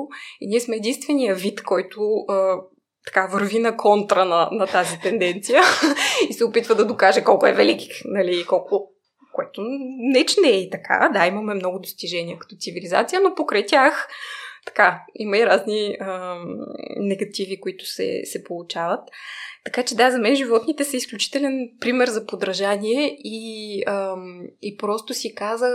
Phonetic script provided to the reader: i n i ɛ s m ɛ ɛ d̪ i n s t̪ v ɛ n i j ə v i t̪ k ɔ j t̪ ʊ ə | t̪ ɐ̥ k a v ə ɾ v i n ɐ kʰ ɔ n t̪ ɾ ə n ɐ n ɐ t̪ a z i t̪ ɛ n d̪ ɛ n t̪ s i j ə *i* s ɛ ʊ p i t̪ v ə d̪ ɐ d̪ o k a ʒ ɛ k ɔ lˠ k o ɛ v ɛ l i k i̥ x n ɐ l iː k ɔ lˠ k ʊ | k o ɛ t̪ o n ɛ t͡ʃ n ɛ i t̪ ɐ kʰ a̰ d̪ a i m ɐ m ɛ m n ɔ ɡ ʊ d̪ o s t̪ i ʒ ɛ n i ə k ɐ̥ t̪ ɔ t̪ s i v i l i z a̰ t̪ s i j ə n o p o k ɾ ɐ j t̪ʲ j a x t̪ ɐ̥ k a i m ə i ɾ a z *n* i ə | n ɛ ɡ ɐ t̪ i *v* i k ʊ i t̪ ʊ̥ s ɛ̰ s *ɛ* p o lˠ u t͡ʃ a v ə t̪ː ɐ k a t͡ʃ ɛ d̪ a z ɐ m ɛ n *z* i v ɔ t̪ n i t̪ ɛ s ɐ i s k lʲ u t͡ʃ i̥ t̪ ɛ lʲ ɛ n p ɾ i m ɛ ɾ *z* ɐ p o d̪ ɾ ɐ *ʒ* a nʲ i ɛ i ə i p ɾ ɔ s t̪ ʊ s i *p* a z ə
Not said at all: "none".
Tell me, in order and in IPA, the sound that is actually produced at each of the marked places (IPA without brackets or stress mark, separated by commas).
i, n, v, ɛ, ʒ, z, ʒ, k